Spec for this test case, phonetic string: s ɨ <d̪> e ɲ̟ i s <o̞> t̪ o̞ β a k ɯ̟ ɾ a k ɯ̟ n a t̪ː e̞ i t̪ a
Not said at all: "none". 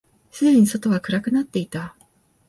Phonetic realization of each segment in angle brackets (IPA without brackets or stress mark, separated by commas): d̪, o̞